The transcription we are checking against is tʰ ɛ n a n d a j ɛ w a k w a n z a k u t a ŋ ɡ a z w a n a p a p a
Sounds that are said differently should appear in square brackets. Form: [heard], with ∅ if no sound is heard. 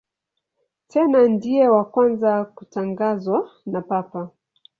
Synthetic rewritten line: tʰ ɛ n a n d [i] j ɛ w a k w a n z a k u t a ŋ ɡ a z w a n a p a p a